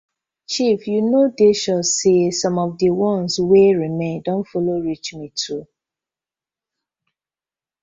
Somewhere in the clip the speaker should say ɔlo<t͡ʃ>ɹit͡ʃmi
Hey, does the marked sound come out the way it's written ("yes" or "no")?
no